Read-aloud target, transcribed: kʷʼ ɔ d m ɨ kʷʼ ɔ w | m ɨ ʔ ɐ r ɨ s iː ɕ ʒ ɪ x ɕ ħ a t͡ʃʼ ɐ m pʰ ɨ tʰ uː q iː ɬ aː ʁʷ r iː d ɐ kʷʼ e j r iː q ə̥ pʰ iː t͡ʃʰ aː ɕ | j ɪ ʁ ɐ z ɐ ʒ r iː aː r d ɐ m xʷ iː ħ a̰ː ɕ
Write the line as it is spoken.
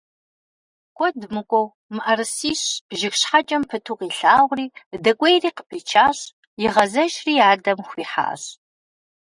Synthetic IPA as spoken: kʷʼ ɔ d m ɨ kʷʼ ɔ w | m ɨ ʔ ɐ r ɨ s iː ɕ ʒ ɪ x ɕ ħ a t͡ʃʼ ɐ m pʰ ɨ tʰ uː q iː ɬ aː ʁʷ r iː d ɐ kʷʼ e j r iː q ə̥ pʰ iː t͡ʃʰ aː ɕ | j ɪ ʁ ɐ z ɐ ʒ r iː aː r d ɐ m xʷ iː ħ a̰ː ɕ